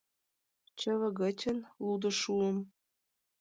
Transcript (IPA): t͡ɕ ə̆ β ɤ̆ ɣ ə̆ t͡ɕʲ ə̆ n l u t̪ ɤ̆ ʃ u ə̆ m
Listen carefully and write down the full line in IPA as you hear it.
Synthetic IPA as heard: t͡ɕ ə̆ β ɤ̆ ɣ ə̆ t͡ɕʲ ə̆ n l u d̪ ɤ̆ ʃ u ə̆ m